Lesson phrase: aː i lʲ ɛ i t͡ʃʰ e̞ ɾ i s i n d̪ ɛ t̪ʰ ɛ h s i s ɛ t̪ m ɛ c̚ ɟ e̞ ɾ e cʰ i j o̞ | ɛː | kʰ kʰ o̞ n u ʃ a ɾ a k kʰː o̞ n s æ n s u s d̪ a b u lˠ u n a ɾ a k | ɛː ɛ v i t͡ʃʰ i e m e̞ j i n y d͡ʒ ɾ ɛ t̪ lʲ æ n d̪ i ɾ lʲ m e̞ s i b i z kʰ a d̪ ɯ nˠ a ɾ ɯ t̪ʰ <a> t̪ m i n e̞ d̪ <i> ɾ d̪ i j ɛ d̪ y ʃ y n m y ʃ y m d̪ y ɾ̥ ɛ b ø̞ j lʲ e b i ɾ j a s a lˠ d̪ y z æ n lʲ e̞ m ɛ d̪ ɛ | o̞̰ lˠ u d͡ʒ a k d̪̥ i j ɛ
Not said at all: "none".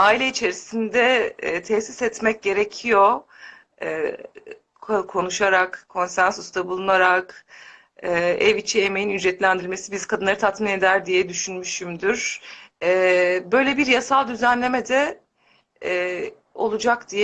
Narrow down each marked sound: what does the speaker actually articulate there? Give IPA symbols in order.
a, æ

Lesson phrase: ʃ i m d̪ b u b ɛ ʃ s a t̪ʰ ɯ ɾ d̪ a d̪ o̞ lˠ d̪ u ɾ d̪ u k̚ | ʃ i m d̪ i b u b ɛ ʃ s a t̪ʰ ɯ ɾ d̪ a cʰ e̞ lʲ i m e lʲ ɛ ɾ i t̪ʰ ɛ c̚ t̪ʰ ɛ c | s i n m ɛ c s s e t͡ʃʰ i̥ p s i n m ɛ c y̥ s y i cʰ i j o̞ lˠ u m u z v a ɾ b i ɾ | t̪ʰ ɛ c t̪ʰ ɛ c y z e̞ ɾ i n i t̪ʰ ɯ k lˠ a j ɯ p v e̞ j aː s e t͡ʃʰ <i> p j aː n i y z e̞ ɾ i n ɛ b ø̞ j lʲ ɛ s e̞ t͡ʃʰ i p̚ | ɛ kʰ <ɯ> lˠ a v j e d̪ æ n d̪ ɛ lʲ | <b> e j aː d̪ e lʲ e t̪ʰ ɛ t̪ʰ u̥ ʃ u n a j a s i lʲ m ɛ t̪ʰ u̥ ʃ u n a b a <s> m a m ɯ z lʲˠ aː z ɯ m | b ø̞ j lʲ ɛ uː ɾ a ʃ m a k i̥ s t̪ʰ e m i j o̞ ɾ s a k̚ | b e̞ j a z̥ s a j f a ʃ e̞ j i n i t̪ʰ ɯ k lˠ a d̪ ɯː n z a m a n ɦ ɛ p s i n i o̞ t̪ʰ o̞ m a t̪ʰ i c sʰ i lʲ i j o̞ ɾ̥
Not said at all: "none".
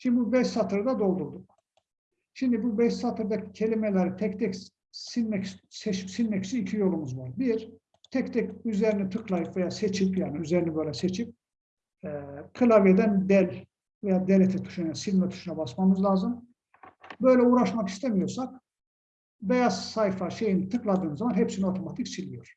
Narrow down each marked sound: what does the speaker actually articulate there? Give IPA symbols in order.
i, ɯ, v, s

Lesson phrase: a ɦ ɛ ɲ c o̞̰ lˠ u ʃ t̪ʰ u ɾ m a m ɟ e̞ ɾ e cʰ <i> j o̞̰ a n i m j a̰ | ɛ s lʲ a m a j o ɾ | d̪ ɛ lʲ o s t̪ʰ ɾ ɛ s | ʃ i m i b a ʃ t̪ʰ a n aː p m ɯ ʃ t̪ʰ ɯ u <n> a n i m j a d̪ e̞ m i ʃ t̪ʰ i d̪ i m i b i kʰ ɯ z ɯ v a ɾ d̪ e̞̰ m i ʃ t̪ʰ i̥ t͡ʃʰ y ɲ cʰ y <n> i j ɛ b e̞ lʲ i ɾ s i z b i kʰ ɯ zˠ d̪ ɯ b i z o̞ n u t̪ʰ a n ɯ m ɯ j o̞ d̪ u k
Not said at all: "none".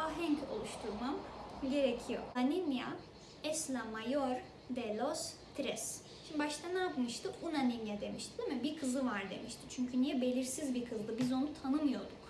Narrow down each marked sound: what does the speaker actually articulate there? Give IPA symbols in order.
i, n, n

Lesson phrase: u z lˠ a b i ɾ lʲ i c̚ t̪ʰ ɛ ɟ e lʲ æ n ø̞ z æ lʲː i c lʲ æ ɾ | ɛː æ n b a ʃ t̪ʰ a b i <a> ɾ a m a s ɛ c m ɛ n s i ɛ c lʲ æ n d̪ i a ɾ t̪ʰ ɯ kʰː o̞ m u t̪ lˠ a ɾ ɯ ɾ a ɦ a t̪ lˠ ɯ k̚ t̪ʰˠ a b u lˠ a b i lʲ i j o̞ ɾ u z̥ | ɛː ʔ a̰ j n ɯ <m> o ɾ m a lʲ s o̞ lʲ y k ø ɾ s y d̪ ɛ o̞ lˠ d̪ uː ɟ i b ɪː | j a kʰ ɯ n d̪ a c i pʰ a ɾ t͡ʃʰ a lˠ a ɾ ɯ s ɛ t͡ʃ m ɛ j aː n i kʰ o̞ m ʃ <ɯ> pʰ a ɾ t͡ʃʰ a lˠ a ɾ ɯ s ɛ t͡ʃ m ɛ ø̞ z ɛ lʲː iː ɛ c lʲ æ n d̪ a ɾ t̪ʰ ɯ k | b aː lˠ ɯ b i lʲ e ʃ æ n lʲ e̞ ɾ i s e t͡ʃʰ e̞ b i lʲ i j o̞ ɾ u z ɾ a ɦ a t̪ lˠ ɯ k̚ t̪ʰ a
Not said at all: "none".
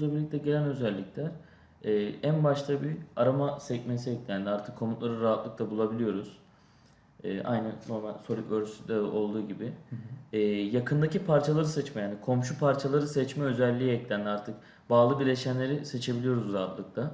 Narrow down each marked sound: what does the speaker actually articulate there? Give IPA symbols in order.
a, n, u

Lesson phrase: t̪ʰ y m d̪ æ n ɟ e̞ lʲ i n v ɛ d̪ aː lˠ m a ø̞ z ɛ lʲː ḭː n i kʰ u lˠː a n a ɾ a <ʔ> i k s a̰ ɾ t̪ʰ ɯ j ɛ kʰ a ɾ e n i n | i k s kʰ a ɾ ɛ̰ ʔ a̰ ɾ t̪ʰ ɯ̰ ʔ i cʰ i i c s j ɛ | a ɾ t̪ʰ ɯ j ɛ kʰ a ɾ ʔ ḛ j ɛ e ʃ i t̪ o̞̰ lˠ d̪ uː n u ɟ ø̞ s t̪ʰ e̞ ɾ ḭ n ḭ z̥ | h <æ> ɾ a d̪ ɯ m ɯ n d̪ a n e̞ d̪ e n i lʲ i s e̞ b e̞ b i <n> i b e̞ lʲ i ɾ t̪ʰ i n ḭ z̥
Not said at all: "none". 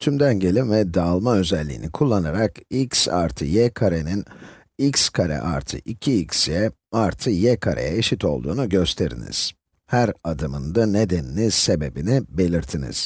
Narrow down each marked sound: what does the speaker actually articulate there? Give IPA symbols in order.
k, æ, n

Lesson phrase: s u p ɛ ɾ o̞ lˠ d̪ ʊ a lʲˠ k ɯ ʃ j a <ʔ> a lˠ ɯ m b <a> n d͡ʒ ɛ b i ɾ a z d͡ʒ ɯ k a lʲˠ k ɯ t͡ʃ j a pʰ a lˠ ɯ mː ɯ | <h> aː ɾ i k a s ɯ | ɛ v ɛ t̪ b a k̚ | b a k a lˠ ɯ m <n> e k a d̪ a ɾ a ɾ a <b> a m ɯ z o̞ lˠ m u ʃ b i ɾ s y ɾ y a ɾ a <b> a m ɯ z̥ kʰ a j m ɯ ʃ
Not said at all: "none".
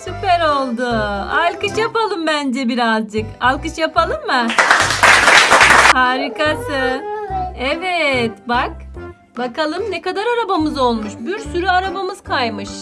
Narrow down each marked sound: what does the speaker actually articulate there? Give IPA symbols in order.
p, æ, h, n, b, b

